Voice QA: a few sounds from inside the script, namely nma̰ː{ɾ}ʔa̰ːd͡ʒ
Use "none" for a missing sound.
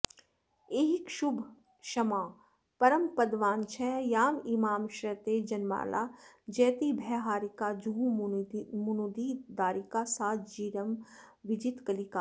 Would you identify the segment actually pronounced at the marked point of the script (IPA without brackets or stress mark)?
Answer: l